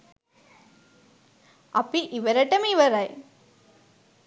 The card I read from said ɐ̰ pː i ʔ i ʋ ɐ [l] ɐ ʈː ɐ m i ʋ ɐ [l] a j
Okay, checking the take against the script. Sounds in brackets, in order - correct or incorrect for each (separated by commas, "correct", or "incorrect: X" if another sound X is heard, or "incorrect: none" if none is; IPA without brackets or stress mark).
incorrect: ɾ, incorrect: ɾ